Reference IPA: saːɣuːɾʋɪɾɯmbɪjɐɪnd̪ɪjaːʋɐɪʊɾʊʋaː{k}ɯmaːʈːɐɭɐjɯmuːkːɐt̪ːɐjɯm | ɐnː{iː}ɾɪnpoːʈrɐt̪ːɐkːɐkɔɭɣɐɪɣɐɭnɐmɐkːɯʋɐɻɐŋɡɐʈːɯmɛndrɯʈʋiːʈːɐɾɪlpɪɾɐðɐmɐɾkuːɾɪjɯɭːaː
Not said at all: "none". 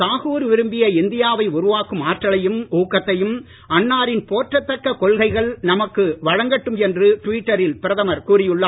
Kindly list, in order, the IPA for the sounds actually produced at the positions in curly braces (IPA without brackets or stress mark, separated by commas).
k, aː